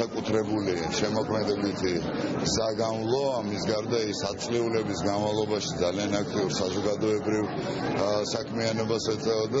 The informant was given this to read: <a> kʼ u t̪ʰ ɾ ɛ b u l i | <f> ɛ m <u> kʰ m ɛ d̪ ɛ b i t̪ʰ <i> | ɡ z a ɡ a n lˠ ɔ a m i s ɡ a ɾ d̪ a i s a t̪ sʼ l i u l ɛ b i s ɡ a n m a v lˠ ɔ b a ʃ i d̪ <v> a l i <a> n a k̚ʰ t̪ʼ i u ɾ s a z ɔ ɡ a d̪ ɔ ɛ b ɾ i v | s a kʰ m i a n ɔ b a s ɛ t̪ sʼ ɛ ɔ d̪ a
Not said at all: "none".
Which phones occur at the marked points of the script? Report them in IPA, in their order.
a, ʃ, ɔ, i, z, a

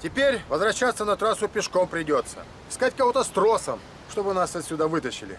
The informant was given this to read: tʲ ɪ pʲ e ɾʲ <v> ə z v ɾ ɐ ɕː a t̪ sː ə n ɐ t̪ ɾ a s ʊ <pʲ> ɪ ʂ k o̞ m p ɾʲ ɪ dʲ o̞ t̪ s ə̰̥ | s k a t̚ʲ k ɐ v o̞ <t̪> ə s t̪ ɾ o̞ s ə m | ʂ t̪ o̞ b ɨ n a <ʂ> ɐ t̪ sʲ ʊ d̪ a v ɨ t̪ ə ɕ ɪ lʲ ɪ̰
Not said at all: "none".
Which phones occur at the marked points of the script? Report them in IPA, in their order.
v, pʲ, t̪, s

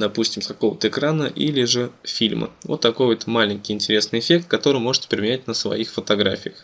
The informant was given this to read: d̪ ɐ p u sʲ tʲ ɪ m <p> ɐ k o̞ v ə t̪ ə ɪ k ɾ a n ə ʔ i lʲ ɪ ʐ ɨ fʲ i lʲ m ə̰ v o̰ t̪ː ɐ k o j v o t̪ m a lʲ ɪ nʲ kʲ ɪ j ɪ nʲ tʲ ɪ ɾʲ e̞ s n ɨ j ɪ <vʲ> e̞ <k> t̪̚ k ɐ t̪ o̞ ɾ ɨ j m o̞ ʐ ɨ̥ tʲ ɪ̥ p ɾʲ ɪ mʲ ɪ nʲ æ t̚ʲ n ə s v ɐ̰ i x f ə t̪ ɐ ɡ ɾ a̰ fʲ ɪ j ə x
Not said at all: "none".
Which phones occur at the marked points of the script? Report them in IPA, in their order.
k, fʲ, k

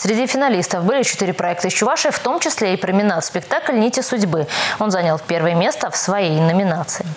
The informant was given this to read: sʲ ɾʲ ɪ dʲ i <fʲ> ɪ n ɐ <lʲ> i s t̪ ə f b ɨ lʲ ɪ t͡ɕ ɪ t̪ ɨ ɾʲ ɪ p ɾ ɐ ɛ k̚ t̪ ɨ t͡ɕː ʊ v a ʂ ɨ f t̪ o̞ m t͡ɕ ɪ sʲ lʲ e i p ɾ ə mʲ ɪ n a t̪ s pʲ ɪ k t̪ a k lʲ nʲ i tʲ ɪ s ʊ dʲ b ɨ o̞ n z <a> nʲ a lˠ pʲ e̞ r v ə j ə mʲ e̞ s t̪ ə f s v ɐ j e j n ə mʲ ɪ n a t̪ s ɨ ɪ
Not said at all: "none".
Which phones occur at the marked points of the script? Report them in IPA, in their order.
fʲ, lʲ, a

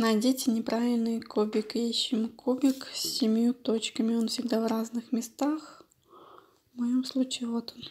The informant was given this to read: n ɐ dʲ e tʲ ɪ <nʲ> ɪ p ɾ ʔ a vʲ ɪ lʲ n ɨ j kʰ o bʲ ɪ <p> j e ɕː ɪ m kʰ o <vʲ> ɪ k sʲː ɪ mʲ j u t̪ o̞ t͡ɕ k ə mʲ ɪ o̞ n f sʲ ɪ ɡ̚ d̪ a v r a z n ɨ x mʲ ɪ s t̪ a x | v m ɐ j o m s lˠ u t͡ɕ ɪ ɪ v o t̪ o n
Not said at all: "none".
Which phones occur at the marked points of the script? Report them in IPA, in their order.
nʲ, k, bʲ

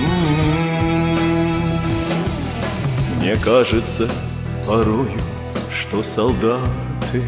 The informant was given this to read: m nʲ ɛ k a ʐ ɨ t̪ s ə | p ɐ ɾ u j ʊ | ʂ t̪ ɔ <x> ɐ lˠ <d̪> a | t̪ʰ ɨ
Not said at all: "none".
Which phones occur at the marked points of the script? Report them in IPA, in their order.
s, d̪

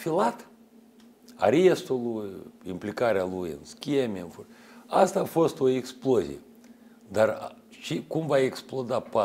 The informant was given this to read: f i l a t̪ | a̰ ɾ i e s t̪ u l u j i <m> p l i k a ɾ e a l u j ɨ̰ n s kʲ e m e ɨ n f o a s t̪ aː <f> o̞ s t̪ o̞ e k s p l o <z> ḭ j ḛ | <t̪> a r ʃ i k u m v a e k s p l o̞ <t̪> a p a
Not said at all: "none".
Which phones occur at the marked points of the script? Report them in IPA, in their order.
m, f, z, d̪, d̪

